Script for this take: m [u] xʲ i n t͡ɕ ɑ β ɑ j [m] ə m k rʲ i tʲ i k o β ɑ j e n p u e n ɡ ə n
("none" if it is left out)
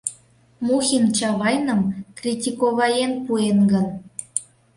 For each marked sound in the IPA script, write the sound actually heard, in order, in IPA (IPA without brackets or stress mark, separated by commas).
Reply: u, n